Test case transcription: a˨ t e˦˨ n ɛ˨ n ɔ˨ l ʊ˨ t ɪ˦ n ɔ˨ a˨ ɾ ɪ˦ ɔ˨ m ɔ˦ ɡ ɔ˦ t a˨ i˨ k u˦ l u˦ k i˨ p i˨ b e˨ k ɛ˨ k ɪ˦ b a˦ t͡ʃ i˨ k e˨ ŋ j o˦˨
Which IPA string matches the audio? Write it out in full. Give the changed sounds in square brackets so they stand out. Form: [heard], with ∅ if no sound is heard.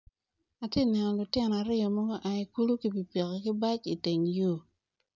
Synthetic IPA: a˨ t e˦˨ n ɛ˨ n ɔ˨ l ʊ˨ t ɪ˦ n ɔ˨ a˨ ɾ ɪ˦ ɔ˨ m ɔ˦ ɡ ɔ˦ [ʔ] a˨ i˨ k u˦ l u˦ k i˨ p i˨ [p] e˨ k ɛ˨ k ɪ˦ b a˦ t͡ʃ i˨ [t] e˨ ŋ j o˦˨

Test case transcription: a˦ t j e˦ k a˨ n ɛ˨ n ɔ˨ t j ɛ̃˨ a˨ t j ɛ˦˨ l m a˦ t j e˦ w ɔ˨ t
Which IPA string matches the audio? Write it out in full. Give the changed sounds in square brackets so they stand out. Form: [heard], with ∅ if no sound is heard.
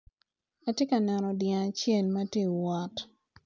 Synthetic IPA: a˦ t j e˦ k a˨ n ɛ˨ n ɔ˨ [d] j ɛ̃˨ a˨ [t͡ʃ] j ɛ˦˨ l m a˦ t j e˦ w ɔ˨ t

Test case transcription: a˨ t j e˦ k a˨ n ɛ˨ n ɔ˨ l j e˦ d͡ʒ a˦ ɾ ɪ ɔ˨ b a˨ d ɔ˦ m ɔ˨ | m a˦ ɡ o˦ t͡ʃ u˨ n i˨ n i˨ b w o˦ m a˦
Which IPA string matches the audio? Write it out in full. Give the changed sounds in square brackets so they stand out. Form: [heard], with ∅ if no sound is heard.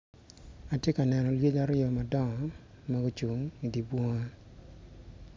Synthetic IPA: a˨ t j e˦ k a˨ n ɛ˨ n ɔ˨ l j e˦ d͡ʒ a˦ ɾ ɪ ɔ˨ [m] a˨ d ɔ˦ [ŋ] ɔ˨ | m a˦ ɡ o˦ t͡ʃ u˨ [ŋ] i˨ [d] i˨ b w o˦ [ŋ] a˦

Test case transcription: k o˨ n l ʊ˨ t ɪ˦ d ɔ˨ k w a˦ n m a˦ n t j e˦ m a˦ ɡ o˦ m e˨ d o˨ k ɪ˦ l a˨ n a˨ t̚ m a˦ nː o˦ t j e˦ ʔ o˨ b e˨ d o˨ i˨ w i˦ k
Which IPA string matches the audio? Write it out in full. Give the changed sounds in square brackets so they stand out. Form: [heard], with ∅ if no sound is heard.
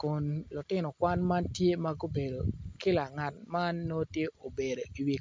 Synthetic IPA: k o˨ n l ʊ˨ t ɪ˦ [n] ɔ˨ k w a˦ n m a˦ n t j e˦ m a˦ ɡ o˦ [b] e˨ d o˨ k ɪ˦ l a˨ [ŋ] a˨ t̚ m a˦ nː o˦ t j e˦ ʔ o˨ b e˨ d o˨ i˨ w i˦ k

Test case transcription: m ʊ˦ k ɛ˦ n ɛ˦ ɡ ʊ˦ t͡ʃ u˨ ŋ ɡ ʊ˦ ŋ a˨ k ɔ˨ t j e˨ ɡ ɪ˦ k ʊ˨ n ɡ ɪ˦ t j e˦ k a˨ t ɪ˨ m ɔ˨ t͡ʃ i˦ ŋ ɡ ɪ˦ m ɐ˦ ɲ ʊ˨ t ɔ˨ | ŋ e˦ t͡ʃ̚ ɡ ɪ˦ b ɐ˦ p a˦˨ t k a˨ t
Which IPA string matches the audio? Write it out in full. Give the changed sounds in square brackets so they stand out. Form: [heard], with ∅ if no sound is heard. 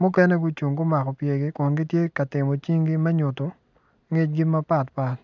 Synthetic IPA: m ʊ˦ k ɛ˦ n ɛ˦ ɡ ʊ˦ t͡ʃ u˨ ŋ ɡ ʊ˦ [m] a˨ k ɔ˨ [p] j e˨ ɡ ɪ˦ k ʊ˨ n ɡ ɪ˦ t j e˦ k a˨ t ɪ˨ m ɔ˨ t͡ʃ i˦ ŋ ɡ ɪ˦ m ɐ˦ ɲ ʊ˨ t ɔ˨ | ŋ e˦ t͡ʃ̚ ɡ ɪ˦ [m] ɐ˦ p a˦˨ t [p] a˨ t

